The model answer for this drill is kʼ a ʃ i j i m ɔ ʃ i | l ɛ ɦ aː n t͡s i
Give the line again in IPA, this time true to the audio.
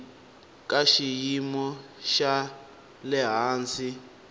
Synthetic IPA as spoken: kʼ a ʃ i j i m ɔ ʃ a | l ɛ ɦ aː n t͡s i